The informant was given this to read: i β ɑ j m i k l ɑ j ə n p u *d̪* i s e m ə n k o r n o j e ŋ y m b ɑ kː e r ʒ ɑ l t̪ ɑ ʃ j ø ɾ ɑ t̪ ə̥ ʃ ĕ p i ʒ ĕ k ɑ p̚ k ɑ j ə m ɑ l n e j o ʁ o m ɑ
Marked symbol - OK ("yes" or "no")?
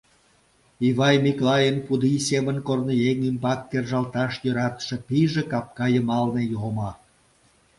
yes